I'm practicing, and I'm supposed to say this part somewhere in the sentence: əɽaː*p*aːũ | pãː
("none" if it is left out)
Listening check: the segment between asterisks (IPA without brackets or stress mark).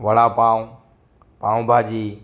p